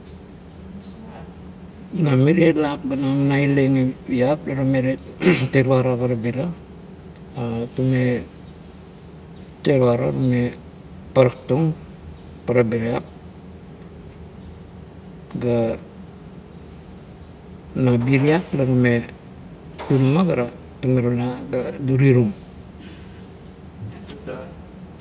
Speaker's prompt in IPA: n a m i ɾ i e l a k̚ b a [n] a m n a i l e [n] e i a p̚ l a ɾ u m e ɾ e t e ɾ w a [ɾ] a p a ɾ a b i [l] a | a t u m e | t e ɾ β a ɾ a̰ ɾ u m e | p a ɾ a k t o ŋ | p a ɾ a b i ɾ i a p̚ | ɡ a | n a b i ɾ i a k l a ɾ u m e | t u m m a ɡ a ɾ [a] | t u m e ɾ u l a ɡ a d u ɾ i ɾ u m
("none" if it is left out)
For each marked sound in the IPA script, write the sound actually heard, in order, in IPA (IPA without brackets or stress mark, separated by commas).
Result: n, ŋ, ɾ, ɾ, a